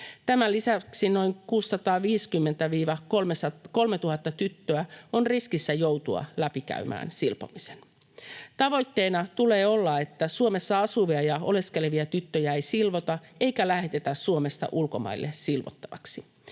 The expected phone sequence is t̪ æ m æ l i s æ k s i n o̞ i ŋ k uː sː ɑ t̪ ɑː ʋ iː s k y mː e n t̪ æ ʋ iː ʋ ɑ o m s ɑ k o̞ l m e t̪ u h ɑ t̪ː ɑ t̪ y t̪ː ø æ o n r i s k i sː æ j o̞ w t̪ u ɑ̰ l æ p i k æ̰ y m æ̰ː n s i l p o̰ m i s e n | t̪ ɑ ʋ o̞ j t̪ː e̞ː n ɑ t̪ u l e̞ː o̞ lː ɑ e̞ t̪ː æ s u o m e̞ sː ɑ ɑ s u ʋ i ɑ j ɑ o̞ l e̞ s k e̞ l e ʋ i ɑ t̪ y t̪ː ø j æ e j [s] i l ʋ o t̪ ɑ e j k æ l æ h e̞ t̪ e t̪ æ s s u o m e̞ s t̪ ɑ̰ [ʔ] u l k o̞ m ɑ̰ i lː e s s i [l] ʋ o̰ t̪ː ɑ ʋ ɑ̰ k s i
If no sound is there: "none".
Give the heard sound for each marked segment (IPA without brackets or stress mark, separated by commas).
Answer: s, ʔ, l